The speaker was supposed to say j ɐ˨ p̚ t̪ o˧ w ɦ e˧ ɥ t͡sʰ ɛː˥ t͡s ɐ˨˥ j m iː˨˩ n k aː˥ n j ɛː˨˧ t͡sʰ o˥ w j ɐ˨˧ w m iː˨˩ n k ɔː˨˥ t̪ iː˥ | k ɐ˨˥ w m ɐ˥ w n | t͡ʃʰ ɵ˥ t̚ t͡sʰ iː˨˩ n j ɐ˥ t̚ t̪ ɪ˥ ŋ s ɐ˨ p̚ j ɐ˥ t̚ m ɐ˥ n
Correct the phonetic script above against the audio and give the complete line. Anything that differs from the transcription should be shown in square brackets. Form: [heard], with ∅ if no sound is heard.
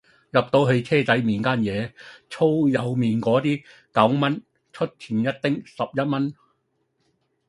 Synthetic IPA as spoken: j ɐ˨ p̚ t̪ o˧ w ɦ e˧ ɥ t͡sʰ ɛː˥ t͡s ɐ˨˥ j m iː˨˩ n k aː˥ n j ɛː˨˧ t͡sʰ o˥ w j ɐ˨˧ w m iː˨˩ n k ɔː˨˥ t̪ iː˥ | k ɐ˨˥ w m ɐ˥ [∅] n | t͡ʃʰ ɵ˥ t̚ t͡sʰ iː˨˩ n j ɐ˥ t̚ t̪ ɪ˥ ŋ s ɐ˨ p̚ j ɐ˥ t̚ m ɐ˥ n